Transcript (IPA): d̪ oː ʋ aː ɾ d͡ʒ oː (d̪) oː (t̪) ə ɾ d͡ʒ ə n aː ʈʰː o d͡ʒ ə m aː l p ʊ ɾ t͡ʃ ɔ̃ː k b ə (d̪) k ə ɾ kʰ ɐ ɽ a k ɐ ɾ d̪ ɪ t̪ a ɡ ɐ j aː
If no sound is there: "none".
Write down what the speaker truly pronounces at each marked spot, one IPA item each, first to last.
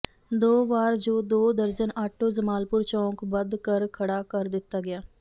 d̪, d̪, d̪

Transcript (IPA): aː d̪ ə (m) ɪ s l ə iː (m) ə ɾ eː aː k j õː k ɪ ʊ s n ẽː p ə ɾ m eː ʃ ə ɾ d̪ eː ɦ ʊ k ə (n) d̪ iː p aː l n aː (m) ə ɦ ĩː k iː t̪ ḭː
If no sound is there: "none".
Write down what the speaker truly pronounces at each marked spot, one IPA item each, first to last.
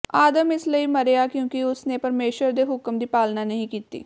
m, m, m, n

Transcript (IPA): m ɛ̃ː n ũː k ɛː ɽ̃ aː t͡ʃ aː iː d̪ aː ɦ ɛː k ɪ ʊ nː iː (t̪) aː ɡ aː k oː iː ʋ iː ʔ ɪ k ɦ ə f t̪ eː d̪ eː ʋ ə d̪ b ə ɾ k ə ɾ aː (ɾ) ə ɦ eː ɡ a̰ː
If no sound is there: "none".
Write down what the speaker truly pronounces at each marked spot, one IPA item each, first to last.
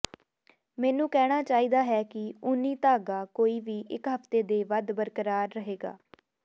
t̪, ɾː

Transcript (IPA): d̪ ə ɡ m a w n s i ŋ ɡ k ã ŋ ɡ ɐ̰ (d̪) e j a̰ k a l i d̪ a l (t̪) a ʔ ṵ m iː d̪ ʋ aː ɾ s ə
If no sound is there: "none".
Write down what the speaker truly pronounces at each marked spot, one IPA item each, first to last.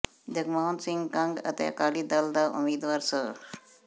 t̪, d̪

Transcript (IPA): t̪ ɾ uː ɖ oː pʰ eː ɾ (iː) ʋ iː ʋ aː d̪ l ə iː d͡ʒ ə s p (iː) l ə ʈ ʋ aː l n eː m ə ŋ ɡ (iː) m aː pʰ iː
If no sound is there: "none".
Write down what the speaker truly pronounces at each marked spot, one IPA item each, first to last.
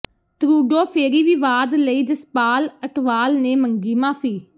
iː, aː, iː

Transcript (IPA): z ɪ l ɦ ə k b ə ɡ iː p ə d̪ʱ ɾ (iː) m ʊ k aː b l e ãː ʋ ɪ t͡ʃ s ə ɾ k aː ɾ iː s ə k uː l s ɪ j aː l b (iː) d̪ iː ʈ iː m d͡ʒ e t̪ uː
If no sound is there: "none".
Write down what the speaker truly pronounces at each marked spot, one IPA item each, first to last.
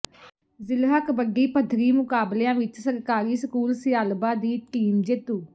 iː, aː

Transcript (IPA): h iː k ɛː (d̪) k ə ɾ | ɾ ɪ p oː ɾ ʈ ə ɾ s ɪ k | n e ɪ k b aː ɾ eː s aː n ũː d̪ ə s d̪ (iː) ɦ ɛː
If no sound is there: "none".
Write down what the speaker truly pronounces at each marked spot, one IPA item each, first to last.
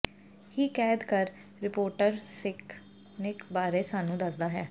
d̪, aː

